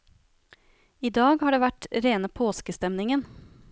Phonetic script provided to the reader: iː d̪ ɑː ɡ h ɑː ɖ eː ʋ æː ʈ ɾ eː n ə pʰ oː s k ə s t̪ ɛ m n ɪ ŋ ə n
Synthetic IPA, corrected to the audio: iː d̪ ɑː ɡ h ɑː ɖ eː ʋ æ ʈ ɾ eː n ə pʰ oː s k ə s t̪ ɛ m n ɪ ŋ ə n